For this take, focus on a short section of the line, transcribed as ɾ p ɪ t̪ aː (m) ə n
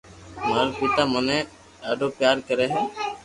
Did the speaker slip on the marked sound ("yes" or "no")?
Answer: no